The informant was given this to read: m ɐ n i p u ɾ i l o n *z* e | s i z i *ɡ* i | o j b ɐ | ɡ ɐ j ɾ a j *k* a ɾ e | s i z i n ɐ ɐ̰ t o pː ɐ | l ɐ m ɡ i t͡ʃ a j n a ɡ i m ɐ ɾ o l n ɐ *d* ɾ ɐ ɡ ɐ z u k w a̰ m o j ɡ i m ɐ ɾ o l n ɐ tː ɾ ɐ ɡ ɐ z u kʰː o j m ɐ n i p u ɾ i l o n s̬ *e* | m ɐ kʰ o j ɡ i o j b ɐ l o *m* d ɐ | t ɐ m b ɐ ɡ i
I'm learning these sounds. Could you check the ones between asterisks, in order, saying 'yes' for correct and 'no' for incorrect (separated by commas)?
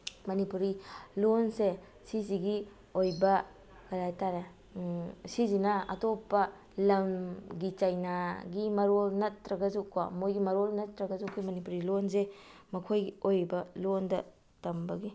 no, yes, no, no, yes, no